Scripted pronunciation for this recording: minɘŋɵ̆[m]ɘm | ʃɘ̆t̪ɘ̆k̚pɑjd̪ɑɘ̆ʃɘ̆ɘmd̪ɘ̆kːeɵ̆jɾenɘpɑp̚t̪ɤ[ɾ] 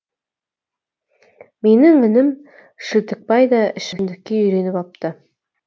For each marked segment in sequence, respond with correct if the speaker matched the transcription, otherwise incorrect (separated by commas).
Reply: incorrect, incorrect